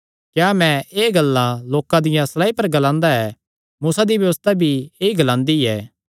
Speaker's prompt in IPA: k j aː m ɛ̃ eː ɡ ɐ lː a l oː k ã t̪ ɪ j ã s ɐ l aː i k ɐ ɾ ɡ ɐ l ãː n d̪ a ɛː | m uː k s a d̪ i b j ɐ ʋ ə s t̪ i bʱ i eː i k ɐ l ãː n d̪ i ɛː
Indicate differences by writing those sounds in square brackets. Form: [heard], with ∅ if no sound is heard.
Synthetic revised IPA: k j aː m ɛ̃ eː ɡ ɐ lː a l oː k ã [d̪] ɪ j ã s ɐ l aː i [p] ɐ ɾ ɡ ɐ l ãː n d̪ a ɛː | m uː [∅] s a d̪ i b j ɐ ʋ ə s t̪ [a] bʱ i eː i [ɡ] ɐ l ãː n d̪ i ɛː